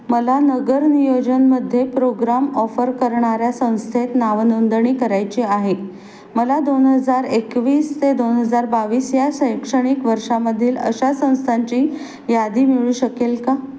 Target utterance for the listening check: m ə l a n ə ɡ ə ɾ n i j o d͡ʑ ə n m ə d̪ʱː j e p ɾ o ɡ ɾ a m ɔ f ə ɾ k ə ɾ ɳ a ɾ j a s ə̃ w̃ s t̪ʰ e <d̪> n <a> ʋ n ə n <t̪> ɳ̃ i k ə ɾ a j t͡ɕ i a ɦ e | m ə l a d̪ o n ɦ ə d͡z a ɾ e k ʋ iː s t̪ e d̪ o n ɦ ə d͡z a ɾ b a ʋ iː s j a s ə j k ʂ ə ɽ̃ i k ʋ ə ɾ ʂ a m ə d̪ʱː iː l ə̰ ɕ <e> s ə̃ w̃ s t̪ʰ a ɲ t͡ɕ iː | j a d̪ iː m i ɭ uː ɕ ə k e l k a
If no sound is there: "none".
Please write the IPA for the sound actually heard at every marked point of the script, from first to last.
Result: t̪, a, d̪, a

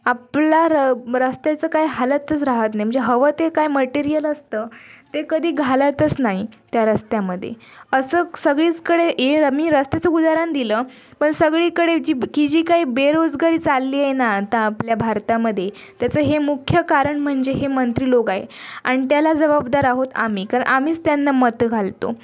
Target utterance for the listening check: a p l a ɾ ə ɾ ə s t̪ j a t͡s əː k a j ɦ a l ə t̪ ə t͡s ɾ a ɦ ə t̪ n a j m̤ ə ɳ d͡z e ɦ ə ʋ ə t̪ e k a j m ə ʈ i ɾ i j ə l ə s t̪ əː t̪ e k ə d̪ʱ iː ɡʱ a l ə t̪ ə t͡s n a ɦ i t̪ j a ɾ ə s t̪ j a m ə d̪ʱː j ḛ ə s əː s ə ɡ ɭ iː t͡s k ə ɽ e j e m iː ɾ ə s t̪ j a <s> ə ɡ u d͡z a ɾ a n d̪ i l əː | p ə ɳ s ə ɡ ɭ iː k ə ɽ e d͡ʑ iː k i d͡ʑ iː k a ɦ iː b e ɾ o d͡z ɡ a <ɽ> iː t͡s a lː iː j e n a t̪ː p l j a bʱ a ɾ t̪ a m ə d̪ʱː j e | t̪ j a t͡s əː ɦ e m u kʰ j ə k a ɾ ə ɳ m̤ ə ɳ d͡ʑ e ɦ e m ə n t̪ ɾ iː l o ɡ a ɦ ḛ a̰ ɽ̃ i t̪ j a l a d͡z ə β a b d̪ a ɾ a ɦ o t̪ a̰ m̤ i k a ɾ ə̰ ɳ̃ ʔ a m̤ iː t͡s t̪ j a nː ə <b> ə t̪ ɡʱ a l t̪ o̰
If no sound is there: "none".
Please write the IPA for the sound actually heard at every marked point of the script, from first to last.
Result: t͡s, ɾ, m

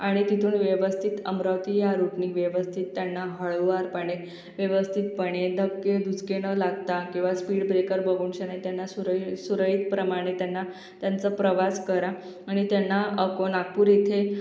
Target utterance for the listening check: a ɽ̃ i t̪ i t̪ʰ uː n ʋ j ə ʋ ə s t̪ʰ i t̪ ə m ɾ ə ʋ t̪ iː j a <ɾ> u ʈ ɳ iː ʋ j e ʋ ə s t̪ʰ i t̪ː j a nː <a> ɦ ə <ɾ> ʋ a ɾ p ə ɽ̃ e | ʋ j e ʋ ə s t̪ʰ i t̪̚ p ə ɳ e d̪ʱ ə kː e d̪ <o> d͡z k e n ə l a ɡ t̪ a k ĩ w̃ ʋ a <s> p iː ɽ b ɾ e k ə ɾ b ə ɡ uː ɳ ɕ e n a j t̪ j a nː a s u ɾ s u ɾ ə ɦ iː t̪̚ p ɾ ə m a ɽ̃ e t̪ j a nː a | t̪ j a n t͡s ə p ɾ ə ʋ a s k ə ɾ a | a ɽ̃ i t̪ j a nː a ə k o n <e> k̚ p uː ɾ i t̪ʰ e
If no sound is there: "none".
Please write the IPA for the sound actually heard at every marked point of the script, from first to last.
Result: ɾ, a, ɭ, u, s, a

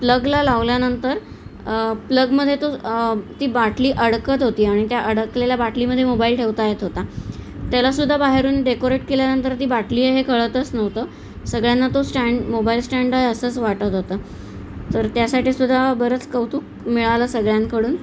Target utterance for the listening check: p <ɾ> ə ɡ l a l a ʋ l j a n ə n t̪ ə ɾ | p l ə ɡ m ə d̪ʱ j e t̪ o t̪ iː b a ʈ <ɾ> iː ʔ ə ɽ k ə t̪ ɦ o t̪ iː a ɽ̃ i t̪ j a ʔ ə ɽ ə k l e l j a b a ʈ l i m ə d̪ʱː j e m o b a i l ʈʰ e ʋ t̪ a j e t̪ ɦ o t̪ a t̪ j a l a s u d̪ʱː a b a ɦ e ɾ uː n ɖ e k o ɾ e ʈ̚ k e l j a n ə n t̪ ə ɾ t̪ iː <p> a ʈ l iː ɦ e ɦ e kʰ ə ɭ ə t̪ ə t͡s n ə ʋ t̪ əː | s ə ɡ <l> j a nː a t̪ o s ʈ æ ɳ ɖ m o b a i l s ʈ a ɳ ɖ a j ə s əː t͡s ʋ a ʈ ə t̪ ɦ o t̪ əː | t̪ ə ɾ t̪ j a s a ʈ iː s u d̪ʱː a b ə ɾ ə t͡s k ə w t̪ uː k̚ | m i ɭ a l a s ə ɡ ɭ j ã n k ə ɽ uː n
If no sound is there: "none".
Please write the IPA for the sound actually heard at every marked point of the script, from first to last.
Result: l, l, b, ɭ

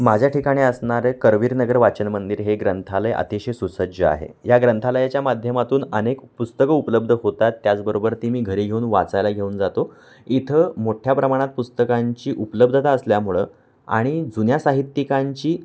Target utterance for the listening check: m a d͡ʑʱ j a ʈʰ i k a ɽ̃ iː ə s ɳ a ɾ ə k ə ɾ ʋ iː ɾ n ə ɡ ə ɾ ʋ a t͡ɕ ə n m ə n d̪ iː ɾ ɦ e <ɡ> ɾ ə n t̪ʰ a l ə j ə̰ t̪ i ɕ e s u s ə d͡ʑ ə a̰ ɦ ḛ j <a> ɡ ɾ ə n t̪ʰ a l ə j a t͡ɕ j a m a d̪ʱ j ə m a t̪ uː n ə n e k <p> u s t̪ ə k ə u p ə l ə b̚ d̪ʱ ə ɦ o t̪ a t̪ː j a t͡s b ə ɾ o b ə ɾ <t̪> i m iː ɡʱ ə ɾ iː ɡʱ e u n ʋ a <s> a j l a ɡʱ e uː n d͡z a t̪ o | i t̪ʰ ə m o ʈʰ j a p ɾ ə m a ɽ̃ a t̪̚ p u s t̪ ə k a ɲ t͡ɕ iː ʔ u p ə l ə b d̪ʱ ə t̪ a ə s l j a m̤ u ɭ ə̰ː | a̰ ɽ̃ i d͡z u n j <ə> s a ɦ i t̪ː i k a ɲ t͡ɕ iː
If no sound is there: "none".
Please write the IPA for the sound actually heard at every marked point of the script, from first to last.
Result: ɡ, a, p, t̪, t͡s, a

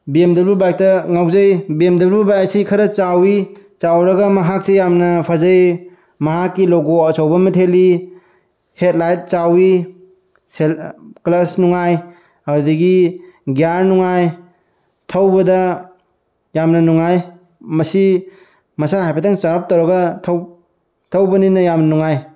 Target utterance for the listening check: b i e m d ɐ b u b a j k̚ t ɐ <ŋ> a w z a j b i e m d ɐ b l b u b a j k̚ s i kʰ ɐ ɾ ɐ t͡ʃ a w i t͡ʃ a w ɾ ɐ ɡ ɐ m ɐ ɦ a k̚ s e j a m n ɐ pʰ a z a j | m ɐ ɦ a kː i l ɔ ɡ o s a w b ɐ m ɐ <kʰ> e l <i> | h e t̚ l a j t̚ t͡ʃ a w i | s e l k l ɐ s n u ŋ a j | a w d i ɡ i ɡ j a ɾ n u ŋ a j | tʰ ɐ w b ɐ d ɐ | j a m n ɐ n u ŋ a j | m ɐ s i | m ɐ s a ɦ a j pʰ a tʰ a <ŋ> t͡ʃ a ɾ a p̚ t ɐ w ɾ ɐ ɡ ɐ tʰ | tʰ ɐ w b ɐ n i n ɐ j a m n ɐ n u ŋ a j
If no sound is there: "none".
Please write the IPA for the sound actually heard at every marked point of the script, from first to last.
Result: ŋ, tʰ, i, ŋ

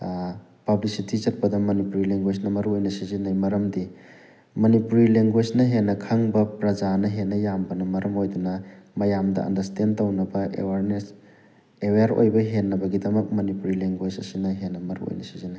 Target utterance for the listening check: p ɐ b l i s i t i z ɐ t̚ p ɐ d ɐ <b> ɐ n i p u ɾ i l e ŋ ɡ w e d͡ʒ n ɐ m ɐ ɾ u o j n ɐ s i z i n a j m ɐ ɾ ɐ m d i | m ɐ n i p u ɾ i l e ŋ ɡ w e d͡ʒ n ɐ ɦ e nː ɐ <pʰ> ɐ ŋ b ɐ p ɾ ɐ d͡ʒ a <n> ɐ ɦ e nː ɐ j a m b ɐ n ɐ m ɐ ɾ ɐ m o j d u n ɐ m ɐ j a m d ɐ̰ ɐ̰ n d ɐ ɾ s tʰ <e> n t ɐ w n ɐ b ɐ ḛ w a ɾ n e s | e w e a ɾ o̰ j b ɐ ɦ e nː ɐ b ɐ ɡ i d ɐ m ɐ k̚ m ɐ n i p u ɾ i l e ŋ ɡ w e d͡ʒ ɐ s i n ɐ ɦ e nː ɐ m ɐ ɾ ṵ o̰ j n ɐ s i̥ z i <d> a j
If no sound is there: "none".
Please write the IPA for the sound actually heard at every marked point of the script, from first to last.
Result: m, kʰ, n, e, n

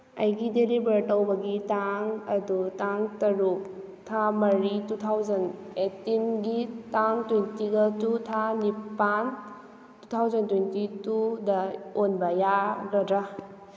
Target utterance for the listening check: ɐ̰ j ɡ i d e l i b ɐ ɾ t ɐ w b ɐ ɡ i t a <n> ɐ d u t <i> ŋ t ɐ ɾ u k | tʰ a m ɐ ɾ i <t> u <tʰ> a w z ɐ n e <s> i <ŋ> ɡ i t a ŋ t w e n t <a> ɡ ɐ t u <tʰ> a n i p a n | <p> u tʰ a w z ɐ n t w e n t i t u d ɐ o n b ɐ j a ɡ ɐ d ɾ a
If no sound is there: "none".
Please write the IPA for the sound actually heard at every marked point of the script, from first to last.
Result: ŋ, a, t, tʰ, t, n, i, tʰ, t

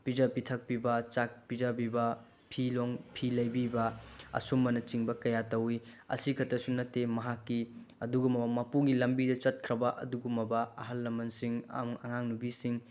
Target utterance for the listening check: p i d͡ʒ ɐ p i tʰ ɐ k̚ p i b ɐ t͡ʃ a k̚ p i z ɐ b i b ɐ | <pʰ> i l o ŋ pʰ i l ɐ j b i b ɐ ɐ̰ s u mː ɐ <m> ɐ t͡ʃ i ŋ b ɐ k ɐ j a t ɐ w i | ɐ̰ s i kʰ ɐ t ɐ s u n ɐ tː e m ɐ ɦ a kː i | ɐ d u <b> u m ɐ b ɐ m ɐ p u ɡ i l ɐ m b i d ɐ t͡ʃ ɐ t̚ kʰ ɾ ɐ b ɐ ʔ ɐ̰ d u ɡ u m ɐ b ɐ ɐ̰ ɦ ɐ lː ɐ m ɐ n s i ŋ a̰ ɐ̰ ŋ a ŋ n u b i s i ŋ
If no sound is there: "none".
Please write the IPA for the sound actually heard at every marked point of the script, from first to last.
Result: pʰ, n, ɡ

